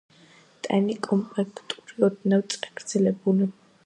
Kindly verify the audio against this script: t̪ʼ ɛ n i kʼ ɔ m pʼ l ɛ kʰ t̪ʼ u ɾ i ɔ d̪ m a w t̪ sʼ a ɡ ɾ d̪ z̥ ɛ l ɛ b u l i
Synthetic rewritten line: t̪ʼ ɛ n i kʼ ɔ m pʼ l ɛ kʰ t̪ʼ u ɾ i ɔ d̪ n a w t̪ sʼ a ɡ ɾ d̪ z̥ ɛ l ɛ b u l i